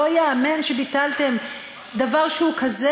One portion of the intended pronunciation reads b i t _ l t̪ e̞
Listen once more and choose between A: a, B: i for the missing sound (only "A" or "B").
A